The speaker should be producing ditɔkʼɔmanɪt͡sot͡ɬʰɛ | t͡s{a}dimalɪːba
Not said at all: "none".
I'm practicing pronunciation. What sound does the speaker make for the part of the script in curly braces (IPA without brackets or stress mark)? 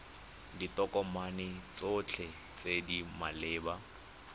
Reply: e